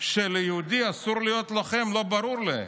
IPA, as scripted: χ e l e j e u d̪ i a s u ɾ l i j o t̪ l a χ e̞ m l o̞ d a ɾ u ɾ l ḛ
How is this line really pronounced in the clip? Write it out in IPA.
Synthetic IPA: ʃ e l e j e u d̪ i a s u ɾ l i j o t̪ l a χ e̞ m l o̞ b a ɾ u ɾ l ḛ